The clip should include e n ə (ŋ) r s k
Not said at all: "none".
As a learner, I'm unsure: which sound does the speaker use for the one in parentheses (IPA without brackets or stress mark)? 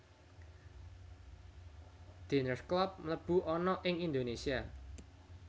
none